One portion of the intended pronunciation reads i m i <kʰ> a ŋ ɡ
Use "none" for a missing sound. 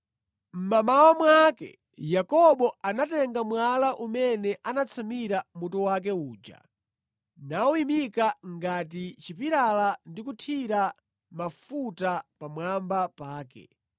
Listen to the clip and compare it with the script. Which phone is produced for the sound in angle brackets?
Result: k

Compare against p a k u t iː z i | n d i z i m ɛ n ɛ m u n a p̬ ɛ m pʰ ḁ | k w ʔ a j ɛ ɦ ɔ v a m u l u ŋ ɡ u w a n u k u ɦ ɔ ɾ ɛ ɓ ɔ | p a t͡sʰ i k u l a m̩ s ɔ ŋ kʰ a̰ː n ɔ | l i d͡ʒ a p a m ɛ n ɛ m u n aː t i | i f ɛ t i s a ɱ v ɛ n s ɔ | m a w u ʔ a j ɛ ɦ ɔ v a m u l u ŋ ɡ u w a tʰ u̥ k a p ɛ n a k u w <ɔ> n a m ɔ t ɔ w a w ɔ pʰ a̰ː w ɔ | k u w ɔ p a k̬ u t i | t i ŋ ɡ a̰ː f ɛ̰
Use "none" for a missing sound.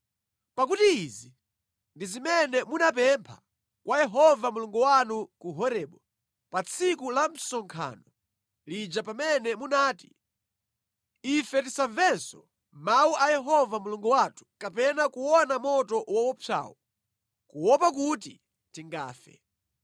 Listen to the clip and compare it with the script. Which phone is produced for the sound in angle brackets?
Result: ɔ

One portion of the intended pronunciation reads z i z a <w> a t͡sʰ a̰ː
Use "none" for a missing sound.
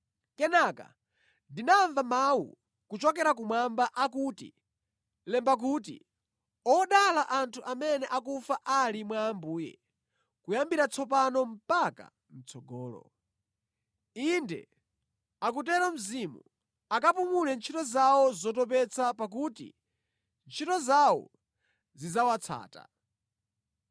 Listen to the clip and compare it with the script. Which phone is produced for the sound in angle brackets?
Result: w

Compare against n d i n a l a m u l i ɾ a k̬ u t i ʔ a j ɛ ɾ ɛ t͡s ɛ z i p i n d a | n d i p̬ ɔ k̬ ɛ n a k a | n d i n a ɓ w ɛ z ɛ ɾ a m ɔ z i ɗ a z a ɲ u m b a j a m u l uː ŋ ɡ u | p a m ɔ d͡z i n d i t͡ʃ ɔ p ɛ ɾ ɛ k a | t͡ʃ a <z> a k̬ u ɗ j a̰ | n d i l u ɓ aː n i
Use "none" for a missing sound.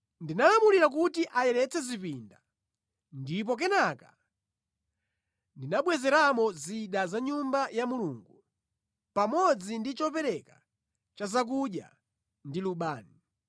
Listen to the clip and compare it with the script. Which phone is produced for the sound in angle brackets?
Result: z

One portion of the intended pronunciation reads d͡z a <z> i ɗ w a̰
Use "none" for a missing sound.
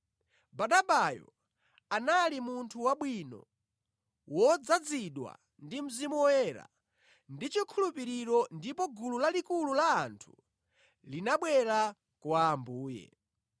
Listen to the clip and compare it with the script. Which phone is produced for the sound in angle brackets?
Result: d͡z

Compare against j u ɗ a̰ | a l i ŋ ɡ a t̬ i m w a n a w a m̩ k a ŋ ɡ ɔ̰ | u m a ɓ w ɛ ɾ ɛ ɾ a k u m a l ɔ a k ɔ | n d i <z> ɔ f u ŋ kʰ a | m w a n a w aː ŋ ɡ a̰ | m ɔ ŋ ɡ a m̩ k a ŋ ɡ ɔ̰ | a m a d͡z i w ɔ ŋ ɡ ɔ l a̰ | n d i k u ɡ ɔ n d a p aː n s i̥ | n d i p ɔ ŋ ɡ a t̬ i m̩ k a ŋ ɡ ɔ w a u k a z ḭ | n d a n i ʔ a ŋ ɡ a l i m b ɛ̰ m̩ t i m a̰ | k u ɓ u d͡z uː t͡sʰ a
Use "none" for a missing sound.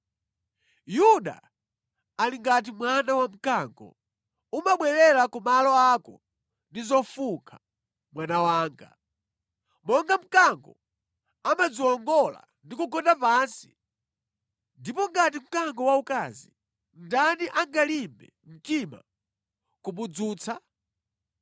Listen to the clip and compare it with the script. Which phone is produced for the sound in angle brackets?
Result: z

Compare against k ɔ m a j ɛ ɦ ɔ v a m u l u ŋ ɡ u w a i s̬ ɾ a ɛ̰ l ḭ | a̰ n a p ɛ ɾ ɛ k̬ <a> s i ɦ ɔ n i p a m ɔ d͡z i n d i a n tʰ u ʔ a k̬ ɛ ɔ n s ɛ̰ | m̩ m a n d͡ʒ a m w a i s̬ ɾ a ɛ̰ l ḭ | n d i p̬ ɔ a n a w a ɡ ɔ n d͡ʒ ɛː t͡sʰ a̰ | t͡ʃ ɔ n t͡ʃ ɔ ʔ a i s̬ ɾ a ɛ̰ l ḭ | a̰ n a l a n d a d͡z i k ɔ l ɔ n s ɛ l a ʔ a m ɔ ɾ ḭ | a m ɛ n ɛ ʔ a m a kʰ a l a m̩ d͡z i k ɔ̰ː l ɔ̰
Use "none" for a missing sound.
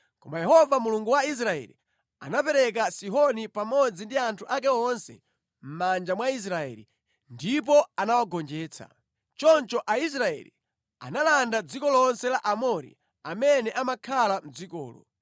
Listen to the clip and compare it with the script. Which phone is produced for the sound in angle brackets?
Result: a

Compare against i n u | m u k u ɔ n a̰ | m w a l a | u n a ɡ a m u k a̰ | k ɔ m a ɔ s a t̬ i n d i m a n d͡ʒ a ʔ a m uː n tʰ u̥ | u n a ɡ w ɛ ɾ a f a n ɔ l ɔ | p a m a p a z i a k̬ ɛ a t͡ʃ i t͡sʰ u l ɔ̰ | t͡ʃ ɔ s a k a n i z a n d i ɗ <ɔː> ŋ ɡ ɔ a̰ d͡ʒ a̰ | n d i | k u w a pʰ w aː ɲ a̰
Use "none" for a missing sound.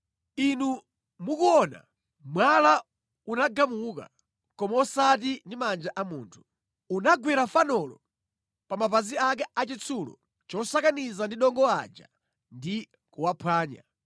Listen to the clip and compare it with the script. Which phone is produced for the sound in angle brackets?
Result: ɔ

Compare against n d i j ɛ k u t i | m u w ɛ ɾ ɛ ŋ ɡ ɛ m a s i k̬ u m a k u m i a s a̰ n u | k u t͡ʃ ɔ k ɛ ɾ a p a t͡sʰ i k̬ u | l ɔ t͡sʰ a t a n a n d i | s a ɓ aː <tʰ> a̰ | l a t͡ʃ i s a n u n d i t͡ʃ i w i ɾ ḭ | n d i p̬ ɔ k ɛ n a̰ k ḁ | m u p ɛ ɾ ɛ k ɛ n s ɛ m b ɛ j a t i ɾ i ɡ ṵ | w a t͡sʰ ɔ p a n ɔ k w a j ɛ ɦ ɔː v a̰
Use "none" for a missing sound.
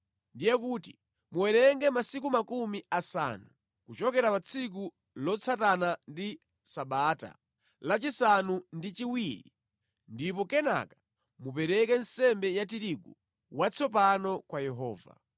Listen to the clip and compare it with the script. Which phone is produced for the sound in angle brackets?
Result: t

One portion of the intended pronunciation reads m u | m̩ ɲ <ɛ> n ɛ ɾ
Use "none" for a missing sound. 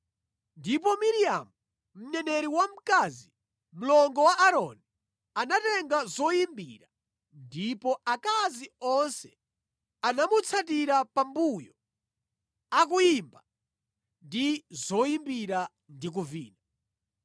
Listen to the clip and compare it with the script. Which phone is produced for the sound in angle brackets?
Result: ɛ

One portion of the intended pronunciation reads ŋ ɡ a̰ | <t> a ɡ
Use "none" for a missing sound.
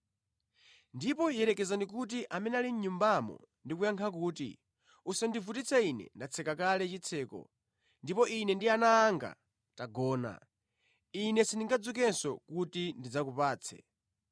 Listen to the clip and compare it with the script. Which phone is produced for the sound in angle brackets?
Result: t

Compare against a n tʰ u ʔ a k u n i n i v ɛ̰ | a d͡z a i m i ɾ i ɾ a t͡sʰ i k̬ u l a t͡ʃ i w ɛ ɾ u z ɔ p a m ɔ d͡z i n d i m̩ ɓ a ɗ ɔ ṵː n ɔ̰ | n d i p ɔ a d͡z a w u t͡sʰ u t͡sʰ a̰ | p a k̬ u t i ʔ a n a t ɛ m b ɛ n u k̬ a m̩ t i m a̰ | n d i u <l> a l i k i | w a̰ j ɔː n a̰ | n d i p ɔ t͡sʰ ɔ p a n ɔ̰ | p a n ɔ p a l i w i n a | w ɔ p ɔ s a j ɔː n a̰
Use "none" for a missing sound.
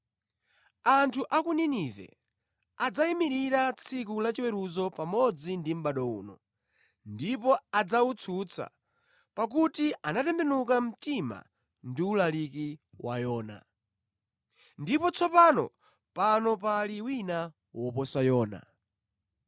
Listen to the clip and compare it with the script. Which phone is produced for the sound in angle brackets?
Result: l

